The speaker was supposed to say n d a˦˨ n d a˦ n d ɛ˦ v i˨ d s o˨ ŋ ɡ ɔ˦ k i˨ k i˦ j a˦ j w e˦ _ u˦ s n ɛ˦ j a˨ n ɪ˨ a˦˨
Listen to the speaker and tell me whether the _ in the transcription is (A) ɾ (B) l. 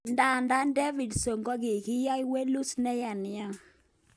B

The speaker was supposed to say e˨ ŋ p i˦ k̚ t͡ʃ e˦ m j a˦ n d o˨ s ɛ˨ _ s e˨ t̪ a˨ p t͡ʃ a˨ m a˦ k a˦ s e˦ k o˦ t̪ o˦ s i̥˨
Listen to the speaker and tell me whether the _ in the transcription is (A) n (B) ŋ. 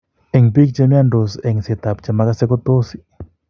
B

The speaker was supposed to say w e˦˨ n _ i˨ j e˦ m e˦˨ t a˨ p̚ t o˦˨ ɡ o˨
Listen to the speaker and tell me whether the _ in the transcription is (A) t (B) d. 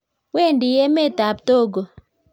B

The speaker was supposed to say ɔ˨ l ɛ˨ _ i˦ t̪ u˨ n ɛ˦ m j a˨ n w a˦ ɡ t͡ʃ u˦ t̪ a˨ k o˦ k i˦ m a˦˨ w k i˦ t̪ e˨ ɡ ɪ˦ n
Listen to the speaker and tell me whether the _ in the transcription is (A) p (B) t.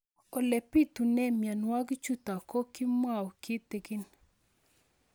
A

